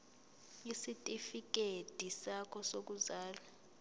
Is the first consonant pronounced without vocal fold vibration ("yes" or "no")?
yes